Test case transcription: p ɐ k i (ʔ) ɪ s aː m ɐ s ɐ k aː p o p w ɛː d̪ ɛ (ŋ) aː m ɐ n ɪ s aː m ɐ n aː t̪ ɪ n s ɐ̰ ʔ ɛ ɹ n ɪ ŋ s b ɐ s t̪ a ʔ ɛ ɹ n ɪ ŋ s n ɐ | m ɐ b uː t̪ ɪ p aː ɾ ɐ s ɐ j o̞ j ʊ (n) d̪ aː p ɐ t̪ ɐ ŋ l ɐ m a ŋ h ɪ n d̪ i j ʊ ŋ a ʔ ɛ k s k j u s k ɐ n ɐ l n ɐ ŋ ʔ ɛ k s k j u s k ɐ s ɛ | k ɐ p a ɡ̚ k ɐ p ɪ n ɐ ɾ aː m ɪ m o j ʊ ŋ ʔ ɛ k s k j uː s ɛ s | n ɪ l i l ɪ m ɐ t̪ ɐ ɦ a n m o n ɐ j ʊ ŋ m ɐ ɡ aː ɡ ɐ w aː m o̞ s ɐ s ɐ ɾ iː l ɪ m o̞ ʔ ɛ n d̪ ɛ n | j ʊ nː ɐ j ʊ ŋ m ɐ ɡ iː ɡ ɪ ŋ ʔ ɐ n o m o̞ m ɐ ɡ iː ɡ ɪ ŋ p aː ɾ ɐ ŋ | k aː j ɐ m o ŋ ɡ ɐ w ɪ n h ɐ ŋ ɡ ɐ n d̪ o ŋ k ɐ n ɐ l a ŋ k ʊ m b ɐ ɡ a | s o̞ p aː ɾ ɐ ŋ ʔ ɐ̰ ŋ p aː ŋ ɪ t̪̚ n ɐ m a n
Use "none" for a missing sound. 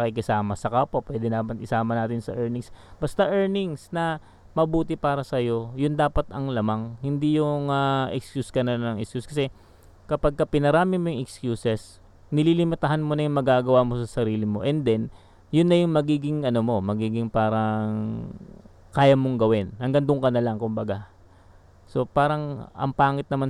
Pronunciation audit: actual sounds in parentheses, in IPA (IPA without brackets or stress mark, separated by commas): k, n, n